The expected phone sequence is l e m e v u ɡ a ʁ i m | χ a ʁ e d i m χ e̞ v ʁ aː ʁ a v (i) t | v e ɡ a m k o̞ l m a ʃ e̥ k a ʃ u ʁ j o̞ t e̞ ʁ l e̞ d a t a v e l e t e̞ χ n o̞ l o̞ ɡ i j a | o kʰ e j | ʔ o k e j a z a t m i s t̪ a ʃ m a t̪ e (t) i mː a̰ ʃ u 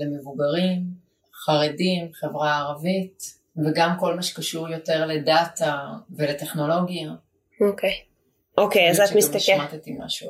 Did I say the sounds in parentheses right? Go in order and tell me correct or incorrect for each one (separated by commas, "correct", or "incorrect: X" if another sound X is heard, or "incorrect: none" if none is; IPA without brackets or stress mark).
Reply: correct, correct